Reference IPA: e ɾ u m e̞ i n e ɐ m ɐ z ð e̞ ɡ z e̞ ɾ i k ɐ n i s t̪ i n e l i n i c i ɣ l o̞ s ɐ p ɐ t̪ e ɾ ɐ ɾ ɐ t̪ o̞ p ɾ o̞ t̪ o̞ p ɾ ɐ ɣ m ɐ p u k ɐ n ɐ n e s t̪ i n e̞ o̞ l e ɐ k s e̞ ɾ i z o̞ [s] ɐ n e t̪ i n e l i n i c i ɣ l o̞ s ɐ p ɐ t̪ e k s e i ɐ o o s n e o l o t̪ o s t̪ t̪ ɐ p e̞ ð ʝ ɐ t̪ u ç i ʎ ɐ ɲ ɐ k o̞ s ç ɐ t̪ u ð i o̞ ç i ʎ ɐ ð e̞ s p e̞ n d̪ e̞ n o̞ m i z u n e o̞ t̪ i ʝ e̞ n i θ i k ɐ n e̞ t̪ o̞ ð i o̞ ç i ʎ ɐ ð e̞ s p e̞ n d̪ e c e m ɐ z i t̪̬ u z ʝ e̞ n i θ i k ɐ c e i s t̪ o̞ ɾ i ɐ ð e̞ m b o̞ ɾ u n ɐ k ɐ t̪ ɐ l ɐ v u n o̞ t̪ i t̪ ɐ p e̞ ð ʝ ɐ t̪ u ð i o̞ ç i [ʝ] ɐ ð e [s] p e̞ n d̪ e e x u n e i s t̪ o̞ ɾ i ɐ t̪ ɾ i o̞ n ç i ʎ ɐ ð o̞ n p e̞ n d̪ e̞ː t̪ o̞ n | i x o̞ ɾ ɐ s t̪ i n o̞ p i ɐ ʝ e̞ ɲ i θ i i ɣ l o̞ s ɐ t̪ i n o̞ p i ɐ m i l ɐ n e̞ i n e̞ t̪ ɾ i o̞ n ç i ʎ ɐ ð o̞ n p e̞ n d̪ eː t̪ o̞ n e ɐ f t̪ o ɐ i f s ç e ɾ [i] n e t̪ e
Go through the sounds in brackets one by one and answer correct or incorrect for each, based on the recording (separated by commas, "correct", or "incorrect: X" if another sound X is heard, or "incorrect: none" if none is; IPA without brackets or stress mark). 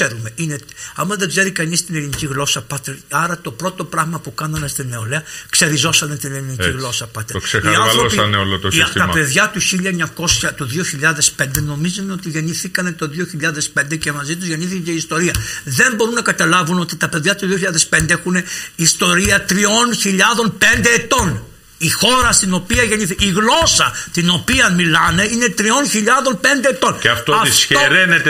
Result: correct, incorrect: ʎ, correct, incorrect: e